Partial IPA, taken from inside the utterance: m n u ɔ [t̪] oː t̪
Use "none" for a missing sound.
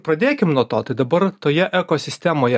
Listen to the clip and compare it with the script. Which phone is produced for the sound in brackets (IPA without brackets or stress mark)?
t̪